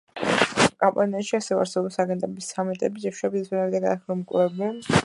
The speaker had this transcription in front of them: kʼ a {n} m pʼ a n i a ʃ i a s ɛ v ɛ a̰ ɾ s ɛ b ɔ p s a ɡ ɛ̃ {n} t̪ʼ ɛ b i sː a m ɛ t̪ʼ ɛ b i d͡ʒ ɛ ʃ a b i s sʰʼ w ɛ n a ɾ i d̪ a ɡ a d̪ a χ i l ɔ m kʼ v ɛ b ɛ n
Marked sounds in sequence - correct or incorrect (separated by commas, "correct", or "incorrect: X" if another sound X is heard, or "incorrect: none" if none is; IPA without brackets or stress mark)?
incorrect: none, correct